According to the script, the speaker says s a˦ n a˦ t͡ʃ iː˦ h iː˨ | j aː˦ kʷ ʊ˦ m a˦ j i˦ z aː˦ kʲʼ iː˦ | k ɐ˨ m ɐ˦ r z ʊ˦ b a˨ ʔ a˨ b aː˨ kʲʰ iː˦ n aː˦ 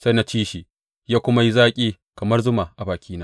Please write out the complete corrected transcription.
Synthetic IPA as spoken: s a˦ n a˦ t͡ʃ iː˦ ʃ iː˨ | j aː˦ kʷ ʊ˦ m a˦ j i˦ z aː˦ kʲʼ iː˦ | k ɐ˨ m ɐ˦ r z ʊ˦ m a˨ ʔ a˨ b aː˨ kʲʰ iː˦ n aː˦